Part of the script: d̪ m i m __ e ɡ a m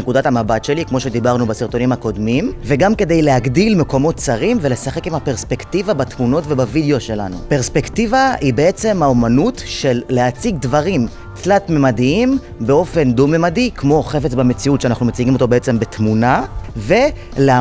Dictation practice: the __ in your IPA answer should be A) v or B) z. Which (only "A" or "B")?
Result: A